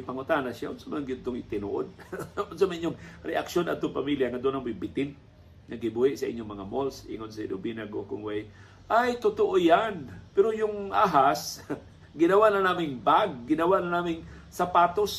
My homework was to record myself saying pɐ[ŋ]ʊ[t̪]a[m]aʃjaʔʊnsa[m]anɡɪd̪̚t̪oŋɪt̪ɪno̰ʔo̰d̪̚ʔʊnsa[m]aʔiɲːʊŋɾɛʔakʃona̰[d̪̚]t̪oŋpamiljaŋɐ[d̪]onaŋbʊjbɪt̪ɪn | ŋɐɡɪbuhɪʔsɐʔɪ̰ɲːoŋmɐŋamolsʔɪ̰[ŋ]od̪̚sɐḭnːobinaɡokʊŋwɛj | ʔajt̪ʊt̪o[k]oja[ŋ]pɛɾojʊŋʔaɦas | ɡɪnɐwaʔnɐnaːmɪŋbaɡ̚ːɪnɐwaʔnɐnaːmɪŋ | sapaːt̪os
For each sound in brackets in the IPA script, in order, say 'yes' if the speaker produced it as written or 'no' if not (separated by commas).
yes, yes, no, yes, yes, yes, yes, yes, no, no